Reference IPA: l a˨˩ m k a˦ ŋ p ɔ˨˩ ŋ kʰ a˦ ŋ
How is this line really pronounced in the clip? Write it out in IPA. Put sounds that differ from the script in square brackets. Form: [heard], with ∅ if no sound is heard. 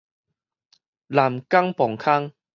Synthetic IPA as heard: l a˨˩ m k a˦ ŋ p ɔ˨˩ ŋ kʰ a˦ ŋ